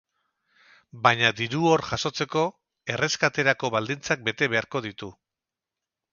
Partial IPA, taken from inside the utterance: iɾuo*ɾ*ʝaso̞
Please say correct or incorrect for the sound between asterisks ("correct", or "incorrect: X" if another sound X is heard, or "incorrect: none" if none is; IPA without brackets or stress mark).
correct